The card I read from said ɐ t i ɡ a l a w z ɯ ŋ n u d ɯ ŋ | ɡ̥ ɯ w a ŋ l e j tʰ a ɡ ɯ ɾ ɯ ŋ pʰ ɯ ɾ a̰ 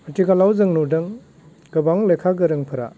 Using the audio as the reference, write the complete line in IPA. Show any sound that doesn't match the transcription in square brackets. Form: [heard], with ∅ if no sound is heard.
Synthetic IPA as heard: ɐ t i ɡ a l a w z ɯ ŋ n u d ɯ ŋ | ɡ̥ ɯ [b] a ŋ l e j [kʰ] a ɡ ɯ ɾ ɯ ŋ pʰ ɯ ɾ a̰